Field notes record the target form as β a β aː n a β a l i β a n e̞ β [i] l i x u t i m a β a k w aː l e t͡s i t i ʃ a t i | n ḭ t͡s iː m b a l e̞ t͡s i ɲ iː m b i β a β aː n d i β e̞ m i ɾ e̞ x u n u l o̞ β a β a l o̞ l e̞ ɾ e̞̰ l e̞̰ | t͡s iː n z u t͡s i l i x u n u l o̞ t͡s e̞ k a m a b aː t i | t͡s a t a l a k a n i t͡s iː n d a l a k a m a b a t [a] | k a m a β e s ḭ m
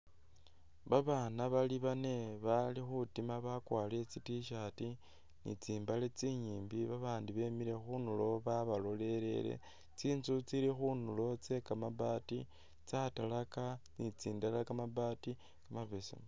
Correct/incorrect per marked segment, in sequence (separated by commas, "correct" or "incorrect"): incorrect, incorrect